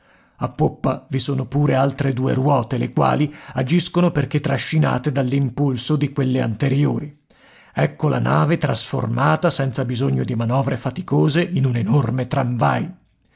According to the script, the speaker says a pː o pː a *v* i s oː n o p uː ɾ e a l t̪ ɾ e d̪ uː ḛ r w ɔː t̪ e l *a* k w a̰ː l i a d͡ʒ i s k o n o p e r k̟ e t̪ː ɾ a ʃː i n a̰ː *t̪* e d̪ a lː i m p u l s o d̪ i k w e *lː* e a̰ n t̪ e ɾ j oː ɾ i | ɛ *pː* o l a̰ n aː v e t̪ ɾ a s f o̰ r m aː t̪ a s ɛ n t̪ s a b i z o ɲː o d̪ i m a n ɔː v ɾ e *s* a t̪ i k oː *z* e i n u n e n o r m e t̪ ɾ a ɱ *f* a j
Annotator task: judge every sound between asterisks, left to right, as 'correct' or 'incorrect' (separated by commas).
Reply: correct, incorrect, correct, correct, incorrect, incorrect, correct, incorrect